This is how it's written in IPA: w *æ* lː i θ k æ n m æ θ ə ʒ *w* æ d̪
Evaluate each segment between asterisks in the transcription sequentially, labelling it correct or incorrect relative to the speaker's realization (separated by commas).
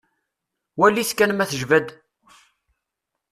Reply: correct, incorrect